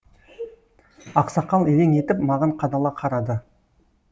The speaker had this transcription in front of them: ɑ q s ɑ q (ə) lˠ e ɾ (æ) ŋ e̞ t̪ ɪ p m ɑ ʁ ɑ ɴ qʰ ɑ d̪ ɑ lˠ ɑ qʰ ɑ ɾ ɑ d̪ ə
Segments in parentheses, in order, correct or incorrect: incorrect: ɑ, incorrect: e

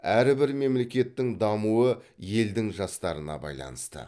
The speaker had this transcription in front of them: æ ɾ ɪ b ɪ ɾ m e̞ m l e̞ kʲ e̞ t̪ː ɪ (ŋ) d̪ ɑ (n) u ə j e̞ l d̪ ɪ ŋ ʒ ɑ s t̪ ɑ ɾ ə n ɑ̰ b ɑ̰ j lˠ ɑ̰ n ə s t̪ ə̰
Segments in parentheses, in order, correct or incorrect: correct, incorrect: m

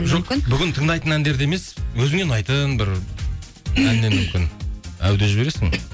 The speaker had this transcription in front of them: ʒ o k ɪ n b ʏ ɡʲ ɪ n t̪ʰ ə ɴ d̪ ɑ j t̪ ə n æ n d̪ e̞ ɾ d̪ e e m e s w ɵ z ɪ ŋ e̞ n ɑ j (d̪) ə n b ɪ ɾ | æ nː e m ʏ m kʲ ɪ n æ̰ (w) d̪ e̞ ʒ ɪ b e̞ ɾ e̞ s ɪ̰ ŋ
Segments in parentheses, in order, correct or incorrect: incorrect: t̪, correct

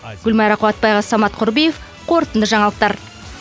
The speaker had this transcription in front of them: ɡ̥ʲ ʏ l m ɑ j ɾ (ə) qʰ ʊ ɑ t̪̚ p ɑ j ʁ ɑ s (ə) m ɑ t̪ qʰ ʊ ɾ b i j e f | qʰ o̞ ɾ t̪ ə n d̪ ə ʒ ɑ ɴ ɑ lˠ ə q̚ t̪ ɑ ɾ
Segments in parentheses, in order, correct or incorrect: incorrect: ɑ, incorrect: ɑ

